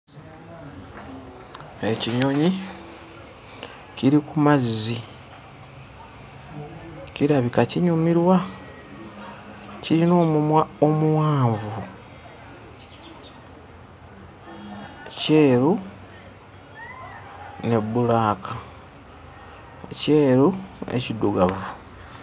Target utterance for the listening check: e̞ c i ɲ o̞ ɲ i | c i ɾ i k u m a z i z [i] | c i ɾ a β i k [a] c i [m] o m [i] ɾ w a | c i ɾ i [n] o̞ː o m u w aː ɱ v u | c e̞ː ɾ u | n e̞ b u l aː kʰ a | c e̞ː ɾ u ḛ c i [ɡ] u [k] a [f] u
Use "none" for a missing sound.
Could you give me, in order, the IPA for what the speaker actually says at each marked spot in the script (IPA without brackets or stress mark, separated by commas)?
i, a, ɲ, i, n, d, ɡ, v